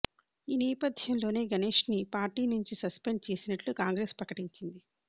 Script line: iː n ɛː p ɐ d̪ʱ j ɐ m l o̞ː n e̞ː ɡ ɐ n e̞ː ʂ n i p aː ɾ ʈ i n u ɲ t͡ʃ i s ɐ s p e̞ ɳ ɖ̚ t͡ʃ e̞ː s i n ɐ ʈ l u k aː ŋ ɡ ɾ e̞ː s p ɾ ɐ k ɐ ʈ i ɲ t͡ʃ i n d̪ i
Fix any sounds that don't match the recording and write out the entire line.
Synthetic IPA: iː n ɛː p ɐ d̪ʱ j ɐ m l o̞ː n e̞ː ɡ ɐ n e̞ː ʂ n i p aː ɾ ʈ iː n u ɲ t͡ʃ i s ɐ s p e̞ ɳ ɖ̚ t͡ʃ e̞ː s i n ɐ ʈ l u k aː ŋ ɡ ɾ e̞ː s p ɾ ɐ k ɐ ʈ i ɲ t͡ʃ i n d̪ i